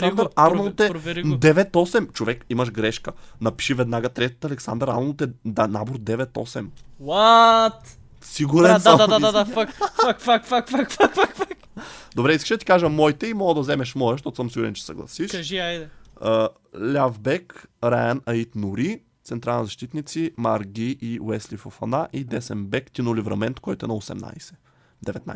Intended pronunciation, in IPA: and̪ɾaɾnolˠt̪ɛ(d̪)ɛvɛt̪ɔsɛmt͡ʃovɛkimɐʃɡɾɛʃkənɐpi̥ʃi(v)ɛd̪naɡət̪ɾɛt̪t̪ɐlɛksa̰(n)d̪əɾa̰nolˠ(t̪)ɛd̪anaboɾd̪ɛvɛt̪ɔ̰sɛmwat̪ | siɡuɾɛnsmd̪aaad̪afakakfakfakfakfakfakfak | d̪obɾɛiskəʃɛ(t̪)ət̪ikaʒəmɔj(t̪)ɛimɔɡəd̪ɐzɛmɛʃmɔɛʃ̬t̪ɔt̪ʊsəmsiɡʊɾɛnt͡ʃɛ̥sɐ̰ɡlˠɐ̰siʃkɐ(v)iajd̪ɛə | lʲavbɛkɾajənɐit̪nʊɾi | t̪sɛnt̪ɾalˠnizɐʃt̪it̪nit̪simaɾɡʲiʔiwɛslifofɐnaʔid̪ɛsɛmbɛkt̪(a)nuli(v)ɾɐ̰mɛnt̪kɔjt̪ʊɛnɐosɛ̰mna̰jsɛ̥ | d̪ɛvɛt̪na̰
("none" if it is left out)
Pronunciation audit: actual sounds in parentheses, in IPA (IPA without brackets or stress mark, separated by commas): d̪, v, n, t̪, d̪, t̪, ʒ, i, v